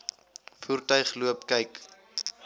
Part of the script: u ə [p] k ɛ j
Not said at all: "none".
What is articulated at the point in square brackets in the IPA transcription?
p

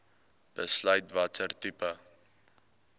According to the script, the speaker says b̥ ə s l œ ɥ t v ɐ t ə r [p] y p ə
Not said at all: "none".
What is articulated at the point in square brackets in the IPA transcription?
t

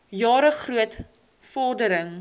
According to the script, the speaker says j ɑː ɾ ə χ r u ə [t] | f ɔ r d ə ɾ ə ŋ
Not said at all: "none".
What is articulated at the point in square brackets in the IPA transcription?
t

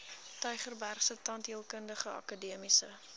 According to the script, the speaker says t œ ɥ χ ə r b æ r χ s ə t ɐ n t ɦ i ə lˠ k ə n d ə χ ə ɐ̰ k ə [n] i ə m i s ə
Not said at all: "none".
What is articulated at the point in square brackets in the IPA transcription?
d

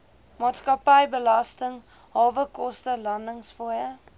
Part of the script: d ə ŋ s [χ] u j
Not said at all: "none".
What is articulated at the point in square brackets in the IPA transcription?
f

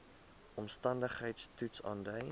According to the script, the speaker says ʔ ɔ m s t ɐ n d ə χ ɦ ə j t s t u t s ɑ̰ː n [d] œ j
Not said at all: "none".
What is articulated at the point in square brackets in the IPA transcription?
d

